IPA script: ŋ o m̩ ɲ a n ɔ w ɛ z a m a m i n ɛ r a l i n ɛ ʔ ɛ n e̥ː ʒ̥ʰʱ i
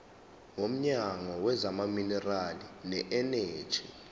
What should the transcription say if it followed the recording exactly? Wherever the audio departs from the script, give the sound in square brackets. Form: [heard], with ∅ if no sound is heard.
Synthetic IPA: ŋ o m̩ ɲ a [ŋ] ɔ w ɛ z a m a m i n ɛ r a l i n ɛ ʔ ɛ n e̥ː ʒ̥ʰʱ i